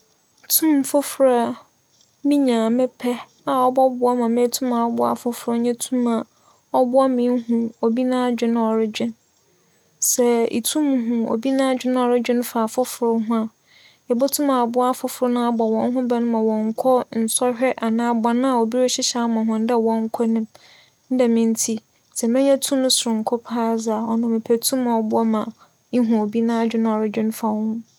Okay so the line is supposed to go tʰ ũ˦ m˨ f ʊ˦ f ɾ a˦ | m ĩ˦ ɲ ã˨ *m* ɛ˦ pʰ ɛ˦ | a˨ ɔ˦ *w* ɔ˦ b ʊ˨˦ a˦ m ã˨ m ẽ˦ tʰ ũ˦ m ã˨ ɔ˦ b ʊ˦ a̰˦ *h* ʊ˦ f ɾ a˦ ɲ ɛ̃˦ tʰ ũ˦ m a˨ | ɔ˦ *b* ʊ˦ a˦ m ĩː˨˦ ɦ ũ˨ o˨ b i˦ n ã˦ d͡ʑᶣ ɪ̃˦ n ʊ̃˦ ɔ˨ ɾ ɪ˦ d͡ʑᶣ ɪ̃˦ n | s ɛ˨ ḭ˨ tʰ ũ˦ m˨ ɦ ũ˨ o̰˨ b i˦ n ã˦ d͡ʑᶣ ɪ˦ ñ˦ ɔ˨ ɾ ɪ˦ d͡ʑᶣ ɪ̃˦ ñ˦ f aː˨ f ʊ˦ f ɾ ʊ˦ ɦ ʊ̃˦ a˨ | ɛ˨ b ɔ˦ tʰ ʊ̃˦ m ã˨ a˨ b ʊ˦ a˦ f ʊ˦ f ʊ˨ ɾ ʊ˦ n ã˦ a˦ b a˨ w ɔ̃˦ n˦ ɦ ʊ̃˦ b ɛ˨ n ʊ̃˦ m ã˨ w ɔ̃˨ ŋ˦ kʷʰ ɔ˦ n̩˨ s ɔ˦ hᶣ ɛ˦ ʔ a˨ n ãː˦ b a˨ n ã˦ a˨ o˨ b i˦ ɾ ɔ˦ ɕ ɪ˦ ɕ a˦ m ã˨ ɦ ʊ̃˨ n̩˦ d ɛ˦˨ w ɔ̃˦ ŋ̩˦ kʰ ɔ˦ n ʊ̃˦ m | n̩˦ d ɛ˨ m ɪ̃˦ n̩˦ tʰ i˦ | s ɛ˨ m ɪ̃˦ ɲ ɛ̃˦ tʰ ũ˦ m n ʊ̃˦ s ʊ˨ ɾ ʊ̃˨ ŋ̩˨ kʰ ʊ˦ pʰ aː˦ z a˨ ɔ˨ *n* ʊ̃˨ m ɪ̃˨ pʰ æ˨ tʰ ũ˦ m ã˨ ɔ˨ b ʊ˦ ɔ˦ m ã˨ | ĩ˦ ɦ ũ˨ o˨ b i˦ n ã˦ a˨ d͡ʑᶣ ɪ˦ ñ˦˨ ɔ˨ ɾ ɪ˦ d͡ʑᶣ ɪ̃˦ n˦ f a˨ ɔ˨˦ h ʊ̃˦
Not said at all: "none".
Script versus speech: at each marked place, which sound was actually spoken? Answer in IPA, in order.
m, b, f, b, n

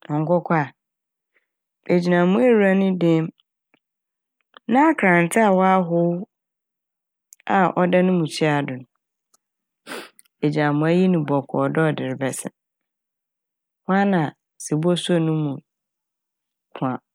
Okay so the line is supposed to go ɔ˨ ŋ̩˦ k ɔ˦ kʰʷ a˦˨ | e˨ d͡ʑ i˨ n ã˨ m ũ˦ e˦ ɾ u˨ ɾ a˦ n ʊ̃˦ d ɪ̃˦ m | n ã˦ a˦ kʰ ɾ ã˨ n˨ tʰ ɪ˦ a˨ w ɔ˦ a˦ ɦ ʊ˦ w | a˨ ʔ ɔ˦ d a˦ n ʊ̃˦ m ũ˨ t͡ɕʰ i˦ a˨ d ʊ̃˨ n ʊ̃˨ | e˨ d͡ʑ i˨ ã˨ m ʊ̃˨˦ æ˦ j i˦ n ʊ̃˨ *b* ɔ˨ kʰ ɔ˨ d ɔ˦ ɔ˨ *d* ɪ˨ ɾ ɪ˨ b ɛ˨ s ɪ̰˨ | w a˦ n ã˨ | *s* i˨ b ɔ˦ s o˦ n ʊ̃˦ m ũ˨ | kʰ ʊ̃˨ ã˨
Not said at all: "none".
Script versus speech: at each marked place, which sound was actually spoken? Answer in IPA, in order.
b, d, s

